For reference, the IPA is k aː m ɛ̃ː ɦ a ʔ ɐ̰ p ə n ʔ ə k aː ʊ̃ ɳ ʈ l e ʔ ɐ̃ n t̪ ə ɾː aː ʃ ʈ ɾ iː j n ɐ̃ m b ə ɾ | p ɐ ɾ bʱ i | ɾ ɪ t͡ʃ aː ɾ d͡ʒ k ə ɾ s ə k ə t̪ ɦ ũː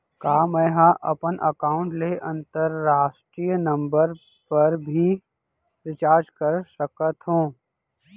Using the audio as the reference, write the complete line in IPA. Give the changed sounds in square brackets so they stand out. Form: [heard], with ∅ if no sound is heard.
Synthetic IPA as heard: k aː m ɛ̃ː ɦ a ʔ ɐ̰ p ə n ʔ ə k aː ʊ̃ ɳ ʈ l e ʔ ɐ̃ n t̪ ə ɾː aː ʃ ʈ ɾ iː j n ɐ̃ m b ə ɾ | p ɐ ɾ bʱ i | ɾ ɪ t͡ʃ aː ɾ d͡ʒ k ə ɾ s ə k ə t̪ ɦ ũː